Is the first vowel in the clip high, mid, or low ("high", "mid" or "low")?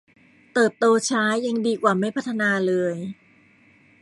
mid